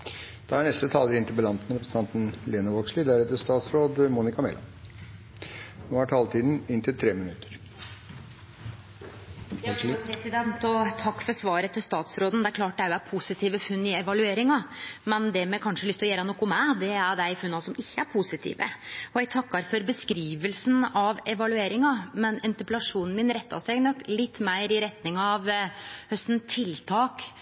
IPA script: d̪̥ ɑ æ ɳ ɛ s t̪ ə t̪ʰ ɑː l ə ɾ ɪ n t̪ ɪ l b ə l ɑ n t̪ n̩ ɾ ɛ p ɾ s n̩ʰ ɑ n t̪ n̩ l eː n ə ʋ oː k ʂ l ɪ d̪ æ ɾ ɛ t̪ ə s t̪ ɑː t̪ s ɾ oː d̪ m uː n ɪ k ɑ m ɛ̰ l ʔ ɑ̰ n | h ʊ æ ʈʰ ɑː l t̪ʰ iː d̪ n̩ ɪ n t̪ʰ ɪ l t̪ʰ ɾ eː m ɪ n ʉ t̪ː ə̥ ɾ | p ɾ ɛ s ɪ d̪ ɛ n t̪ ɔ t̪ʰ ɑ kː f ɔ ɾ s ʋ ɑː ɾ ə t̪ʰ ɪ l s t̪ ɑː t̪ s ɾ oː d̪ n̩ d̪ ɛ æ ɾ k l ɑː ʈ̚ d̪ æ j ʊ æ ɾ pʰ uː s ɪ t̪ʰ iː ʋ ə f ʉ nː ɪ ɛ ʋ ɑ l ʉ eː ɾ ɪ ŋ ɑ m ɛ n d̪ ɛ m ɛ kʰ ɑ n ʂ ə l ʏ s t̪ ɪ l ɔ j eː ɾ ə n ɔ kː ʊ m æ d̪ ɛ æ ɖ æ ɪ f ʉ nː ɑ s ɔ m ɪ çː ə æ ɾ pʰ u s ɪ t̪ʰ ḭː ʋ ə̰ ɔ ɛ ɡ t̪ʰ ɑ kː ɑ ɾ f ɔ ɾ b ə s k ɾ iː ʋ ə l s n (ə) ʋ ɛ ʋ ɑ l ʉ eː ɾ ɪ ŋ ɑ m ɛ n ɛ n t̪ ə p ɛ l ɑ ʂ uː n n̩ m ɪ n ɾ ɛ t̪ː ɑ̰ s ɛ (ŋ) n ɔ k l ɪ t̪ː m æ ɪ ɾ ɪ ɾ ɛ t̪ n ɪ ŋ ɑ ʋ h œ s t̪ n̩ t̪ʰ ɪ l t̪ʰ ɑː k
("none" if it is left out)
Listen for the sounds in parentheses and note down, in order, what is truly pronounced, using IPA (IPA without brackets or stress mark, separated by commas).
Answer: ɑ, ɡ